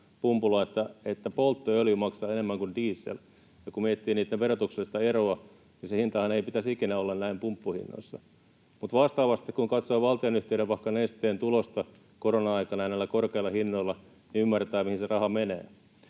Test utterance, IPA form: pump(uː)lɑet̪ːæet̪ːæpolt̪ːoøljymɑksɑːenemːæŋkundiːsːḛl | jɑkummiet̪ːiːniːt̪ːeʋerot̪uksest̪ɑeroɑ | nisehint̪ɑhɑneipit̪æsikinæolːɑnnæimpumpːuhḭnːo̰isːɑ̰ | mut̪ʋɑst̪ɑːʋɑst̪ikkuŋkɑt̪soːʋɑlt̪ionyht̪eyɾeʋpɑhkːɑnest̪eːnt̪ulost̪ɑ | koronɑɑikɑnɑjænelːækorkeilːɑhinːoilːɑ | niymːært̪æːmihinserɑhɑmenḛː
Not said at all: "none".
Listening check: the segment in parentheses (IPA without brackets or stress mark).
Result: u